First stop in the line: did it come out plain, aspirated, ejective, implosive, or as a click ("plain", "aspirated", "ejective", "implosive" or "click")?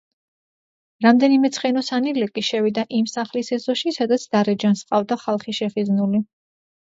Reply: plain